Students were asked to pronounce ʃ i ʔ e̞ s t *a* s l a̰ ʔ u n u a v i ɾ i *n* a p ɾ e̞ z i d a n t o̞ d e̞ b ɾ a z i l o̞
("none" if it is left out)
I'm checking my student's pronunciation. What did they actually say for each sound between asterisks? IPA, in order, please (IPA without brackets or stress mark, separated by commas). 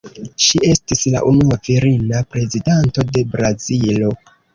i, n